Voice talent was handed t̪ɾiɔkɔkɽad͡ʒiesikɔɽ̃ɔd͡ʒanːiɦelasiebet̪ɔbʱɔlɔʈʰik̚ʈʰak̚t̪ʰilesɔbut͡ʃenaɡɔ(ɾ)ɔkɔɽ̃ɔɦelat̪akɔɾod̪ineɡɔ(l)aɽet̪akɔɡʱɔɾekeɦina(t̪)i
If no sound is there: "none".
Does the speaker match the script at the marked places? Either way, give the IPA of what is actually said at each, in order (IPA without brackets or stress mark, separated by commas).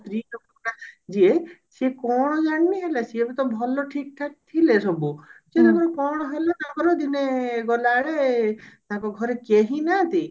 ɾ, l, t̪